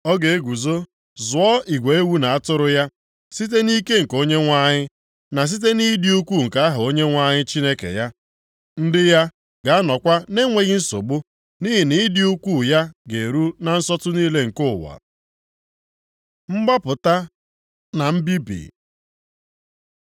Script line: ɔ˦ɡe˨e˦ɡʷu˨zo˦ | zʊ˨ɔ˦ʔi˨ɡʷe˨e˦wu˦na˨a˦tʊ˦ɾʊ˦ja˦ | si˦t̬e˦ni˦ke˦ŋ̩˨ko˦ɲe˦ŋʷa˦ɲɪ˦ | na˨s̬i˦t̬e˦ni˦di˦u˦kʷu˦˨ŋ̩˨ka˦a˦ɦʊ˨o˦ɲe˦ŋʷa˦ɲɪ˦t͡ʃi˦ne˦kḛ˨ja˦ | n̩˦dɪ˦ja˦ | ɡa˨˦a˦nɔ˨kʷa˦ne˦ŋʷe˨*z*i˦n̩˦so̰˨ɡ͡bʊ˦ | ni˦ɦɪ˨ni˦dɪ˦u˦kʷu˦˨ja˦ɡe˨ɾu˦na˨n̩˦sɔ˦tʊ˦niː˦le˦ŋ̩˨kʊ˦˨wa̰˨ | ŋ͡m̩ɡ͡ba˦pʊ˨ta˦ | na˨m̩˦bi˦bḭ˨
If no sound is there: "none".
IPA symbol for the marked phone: ɣ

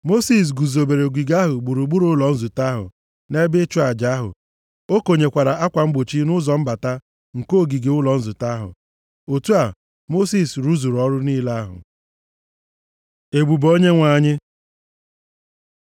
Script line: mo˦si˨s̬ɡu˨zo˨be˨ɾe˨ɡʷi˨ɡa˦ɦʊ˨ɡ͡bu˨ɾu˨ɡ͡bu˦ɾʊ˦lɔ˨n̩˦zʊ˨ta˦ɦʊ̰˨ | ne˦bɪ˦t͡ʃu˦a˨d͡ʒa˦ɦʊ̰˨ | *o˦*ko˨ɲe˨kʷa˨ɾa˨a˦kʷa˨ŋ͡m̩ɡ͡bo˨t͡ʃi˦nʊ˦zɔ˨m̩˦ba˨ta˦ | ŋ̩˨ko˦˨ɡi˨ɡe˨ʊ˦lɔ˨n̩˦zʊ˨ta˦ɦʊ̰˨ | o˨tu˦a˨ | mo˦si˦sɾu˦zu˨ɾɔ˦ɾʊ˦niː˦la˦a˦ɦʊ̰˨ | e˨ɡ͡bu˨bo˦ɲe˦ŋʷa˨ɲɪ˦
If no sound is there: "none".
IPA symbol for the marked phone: o˦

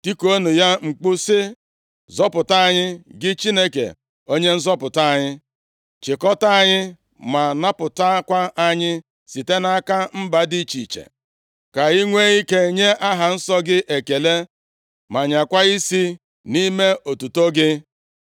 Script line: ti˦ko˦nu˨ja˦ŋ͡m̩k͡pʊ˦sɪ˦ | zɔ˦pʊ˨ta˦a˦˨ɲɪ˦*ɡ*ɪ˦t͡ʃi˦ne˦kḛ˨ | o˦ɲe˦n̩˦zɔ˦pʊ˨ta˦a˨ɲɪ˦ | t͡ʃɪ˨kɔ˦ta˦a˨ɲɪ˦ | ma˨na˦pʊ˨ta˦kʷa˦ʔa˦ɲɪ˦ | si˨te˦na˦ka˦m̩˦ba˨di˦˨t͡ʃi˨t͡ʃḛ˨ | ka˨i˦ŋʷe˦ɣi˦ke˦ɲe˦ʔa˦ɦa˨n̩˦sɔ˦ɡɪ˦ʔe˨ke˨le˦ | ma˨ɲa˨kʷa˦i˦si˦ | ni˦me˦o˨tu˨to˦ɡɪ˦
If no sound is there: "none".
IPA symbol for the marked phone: ɡ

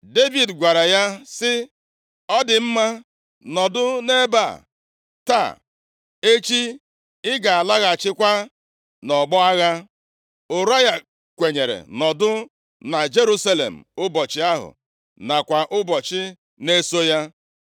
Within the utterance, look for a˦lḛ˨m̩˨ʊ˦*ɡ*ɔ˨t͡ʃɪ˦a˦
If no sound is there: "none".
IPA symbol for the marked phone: b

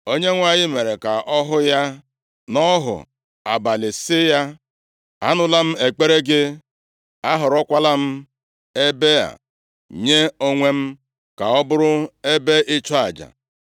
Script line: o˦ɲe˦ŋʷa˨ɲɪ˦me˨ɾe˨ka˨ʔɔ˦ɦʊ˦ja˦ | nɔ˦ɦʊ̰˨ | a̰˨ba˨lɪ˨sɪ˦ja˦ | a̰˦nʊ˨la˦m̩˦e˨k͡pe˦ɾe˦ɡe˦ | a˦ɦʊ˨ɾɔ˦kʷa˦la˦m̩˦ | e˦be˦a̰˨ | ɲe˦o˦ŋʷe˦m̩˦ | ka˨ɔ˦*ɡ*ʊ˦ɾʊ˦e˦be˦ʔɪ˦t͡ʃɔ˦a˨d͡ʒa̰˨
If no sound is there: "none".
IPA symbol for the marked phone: b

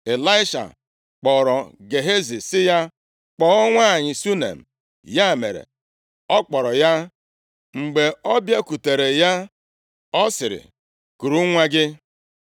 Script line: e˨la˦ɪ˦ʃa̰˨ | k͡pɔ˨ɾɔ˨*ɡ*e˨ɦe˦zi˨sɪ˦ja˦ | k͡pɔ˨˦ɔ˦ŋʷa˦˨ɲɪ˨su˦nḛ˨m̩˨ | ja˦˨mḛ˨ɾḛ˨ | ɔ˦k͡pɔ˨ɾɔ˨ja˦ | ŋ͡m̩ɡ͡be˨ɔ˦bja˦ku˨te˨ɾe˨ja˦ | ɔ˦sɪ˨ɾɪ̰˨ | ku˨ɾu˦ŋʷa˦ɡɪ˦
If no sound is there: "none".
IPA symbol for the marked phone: ɡ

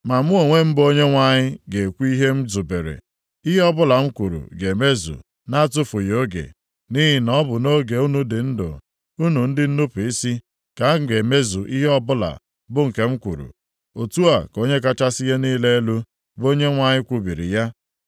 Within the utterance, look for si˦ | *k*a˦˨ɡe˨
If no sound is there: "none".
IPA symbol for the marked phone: k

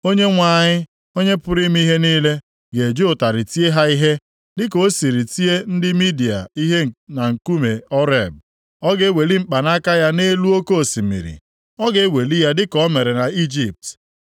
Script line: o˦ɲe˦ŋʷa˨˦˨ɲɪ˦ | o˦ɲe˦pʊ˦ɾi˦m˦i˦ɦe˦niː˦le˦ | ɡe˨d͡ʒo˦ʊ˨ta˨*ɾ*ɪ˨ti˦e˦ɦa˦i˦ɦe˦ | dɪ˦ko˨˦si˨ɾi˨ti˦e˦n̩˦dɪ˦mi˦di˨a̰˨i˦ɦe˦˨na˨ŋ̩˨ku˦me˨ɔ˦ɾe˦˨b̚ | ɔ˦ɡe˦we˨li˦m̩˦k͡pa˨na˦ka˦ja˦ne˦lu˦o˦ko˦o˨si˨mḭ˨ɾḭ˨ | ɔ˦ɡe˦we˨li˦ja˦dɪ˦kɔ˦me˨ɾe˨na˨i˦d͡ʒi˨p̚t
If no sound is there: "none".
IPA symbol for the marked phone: ɾ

